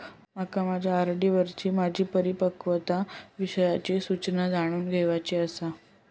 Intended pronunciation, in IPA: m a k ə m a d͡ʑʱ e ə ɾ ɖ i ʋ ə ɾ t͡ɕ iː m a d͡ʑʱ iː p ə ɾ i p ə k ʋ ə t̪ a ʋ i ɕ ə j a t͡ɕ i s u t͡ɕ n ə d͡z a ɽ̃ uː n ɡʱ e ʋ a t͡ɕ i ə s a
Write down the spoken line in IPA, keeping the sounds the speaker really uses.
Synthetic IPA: m a k a m a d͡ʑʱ a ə ɾ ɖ i ʋ ə ɾ t͡ɕ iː m a d͡ʑʱ iː p ə ɾ i p ə k ʋ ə t̪ a ʋ i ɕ ə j a t͡ɕ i s u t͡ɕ n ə d͡z a ɽ̃ uː n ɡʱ e ʋ a t͡ɕ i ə s a